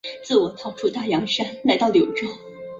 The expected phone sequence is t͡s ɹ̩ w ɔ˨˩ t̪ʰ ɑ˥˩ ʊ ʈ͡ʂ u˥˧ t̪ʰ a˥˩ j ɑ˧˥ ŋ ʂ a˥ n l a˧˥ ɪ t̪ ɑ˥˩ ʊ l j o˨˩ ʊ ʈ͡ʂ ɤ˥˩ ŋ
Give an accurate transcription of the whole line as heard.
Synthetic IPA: t͡s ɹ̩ w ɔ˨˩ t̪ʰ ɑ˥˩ ʊ ʈ͡ʂʰ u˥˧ t̪ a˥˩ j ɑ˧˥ ŋ ʂ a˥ n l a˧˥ ɪ t̪ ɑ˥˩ ʊ l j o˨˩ ʊ ʈ͡ʂ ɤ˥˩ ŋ